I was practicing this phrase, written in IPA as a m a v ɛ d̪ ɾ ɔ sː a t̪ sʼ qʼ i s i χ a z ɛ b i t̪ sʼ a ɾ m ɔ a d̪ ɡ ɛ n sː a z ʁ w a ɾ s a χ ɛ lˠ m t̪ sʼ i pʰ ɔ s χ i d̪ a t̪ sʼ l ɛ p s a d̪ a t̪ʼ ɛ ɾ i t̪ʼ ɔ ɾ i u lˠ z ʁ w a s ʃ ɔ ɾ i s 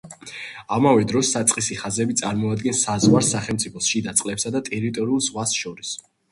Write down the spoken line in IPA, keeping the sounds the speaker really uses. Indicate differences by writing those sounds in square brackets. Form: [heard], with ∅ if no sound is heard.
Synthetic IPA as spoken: a m a v ɛ d̪ ɾ ɔ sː a t̪ sʼ qʼ i s i χ a z ɛ b i t̪ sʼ a ɾ m ɔ a d̪ ɡ ɛ n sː a z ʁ w a ɾ s a χ ɛ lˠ m t̪ sʼ i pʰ ɔ s [ʃ] i d̪ a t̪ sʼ l ɛ p s a d̪ a t̪ʼ ɛ ɾ i t̪ʼ ɔ ɾ i u lˠ z ʁ w a s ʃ ɔ ɾ i s